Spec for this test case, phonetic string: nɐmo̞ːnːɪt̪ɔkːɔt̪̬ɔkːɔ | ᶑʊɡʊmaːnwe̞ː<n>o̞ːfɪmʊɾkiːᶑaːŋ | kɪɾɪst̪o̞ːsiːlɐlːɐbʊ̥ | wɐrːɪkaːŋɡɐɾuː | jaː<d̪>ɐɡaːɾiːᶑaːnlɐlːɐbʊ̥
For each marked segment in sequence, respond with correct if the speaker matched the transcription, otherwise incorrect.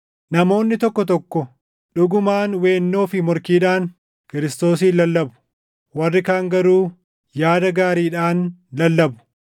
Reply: incorrect, correct

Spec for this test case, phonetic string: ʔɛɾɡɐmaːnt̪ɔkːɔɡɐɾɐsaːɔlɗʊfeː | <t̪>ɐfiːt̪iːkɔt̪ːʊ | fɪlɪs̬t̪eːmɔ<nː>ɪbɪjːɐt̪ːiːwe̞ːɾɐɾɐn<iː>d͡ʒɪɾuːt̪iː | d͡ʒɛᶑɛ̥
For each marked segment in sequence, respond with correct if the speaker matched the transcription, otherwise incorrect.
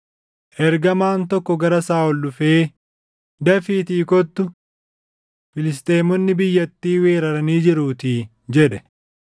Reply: incorrect, correct, correct

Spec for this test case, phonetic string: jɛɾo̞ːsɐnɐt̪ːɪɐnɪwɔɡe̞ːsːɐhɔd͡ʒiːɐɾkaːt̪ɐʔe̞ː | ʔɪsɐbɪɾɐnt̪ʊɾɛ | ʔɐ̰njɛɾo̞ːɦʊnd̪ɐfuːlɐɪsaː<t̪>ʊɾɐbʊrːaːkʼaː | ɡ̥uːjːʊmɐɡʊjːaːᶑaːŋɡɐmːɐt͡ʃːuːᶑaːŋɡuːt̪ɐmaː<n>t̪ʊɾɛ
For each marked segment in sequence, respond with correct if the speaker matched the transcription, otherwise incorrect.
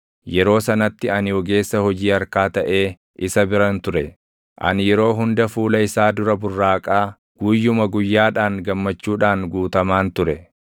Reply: incorrect, correct

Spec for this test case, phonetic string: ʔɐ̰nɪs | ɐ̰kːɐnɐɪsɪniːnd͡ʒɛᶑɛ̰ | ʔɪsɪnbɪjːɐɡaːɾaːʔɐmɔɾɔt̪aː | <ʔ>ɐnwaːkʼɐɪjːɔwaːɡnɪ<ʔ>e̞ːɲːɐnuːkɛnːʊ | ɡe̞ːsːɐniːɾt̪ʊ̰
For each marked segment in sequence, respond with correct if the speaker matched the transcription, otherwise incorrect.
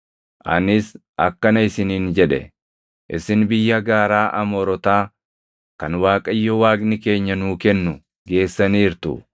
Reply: incorrect, incorrect

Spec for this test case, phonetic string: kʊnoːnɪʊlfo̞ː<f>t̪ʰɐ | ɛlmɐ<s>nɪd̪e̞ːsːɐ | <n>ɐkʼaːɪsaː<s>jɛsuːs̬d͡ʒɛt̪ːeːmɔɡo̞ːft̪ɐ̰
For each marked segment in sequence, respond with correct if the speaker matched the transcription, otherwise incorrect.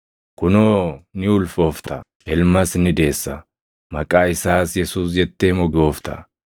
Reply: correct, correct, incorrect, correct

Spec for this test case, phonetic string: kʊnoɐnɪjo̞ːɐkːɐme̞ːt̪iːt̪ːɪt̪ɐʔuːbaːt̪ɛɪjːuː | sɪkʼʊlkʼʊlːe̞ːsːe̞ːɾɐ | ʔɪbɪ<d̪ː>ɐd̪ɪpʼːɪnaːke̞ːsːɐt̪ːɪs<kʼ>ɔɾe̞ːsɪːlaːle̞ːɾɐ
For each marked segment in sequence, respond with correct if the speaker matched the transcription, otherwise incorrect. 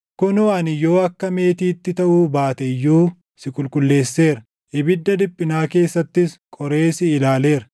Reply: correct, correct

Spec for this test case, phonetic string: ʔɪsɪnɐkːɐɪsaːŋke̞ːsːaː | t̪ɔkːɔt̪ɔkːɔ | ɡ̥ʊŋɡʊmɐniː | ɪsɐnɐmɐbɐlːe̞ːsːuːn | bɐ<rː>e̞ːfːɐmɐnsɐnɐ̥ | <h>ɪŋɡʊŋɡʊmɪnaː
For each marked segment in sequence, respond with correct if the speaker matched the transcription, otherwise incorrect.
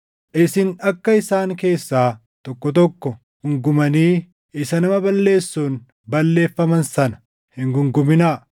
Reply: incorrect, correct

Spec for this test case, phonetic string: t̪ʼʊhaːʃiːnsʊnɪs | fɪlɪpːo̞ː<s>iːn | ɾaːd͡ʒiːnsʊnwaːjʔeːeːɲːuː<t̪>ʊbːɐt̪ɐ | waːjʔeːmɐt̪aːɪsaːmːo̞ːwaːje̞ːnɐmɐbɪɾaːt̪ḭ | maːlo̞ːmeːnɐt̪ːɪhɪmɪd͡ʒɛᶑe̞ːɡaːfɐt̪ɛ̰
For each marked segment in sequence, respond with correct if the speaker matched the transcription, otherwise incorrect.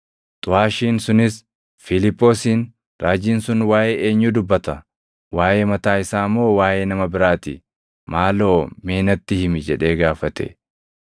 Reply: correct, incorrect

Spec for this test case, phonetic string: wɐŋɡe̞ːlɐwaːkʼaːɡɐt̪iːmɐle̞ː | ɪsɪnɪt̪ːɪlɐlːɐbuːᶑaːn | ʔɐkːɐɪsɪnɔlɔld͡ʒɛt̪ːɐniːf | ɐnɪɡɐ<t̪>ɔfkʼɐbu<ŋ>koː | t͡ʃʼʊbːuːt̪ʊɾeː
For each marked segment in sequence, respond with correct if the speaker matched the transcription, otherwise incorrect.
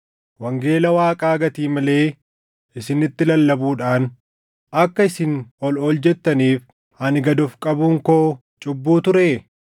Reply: incorrect, correct

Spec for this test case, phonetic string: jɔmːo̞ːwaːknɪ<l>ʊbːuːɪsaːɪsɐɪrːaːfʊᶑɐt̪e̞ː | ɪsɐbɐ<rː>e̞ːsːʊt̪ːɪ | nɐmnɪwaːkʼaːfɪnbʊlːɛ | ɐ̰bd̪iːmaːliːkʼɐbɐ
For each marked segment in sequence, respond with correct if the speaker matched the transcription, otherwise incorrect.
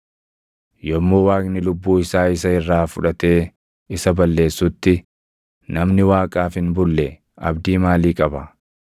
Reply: correct, incorrect

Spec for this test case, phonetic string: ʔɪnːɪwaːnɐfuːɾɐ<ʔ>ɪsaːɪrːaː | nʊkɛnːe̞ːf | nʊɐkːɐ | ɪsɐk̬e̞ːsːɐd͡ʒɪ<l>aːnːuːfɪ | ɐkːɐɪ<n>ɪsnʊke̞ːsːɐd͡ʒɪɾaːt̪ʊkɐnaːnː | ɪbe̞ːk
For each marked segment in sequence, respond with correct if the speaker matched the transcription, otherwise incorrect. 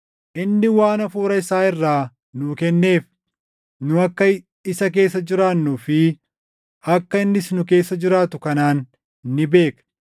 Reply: incorrect, incorrect, incorrect

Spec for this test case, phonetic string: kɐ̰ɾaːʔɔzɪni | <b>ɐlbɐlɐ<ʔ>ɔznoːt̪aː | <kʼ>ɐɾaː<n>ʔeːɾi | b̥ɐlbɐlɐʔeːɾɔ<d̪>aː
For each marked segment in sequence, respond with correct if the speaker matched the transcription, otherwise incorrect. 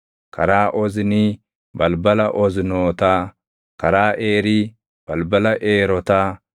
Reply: correct, correct, incorrect, incorrect, incorrect

